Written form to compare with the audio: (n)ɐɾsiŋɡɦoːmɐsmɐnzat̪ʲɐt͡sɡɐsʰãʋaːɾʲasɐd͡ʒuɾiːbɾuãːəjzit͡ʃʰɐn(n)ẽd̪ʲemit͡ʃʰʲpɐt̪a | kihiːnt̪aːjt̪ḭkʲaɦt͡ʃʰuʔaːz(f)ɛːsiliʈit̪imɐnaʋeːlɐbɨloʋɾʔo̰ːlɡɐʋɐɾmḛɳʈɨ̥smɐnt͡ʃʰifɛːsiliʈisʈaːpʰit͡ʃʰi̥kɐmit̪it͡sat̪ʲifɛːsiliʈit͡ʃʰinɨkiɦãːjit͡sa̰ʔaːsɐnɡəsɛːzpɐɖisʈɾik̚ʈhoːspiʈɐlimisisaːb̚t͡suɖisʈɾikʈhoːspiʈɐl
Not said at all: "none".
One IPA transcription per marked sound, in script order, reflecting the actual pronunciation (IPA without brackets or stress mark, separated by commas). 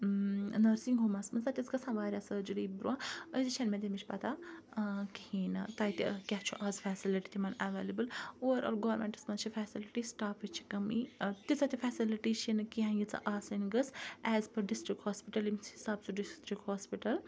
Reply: n, m, f